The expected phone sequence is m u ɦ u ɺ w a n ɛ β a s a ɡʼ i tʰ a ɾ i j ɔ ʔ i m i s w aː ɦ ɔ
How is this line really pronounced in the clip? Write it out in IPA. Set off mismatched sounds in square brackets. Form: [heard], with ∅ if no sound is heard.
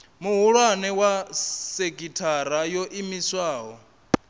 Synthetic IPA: m u ɦ u ɺ w a n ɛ [w] a s [e] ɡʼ i tʰ a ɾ [a] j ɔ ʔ i m i s w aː ɦ ɔ